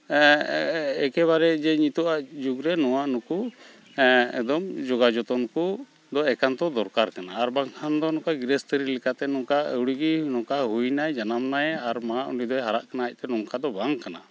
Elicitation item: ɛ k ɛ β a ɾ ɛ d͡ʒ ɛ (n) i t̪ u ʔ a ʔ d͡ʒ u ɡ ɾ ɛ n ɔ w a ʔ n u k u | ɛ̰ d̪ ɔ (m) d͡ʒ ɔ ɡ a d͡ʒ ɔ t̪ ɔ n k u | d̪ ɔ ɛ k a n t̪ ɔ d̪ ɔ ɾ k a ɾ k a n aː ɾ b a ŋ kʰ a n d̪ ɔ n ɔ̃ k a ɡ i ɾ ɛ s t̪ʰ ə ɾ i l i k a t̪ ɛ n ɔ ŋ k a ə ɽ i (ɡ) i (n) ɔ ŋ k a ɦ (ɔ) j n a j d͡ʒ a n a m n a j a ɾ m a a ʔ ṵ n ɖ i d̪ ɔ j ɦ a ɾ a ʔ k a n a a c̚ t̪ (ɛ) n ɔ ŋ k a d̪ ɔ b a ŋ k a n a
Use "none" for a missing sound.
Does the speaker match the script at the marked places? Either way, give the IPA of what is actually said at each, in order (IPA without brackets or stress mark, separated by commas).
ɲ, m, ɡ, n, u, ɛ